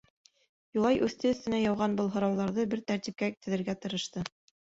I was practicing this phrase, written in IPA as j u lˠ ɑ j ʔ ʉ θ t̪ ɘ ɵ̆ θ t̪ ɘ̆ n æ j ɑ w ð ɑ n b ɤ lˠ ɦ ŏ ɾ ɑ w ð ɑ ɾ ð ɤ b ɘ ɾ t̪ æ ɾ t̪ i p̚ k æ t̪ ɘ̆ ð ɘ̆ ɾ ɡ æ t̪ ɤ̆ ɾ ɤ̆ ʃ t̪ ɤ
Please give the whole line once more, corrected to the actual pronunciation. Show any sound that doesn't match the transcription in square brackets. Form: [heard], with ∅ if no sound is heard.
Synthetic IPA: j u lˠ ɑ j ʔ ʉ θ t̪ ɘ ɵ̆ θ t̪ ɘ̆ n æ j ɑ w [ʁ] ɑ n b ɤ lˠ ɦ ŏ ɾ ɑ w ð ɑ ɾ ð ɤ b ɘ ɾ t̪ æ ɾ t̪ i p̚ k æ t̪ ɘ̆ ð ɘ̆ ɾ ɡ æ t̪ ɤ̆ ɾ ɤ̆ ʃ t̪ ɤ